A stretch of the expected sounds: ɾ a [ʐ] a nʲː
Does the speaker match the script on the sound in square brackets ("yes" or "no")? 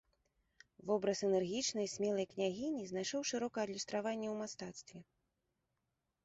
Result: no